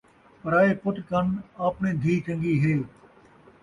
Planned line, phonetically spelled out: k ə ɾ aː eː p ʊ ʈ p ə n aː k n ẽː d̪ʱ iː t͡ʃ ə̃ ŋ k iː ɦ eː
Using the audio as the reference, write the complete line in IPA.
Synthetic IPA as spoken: p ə ɾ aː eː p ʊ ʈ k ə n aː p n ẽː d̪ʱ iː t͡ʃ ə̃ ŋ ɡ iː ɦ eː

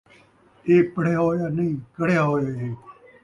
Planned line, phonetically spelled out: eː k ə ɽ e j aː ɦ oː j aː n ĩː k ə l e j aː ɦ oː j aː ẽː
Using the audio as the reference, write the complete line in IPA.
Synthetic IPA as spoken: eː p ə ɽ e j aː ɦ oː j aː n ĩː k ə ɽ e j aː ɦ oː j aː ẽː

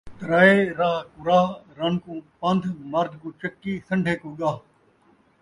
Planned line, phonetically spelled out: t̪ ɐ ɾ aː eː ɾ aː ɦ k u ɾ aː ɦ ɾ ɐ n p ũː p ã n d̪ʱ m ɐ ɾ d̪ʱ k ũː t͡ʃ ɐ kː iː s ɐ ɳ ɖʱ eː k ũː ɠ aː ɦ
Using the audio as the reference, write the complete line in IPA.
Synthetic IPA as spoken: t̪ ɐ ɾ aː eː ɾ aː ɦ k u ɾ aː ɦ ɾ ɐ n k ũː p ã n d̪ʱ m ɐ ɾ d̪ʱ k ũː t͡ʃ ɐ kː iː s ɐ ɳ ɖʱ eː k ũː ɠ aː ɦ

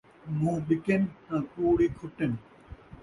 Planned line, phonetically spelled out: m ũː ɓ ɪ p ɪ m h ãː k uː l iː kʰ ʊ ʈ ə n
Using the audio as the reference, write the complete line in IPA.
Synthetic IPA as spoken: m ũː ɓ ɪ k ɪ n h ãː k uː ɽ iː kʰ ʊ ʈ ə n

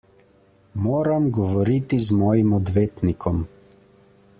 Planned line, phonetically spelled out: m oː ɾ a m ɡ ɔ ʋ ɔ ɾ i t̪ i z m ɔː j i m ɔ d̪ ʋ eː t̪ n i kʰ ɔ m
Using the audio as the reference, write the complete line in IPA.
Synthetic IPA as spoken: m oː ɾ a m ɡ ɔ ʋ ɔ ɾ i t̪ i z m ɔː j i m ɔ d̪ ʋ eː t̪ n i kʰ ɔ m

